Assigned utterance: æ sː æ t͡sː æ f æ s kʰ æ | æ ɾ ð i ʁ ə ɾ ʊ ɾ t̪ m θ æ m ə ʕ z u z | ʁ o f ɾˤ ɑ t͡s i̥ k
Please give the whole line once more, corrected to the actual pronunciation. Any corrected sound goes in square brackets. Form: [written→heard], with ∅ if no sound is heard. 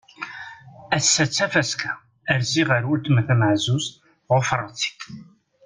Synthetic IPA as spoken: æ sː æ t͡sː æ f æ s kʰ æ | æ ɾ [ð→z] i ʁ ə ɾ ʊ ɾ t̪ m θ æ m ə ʕ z u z | ʁ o f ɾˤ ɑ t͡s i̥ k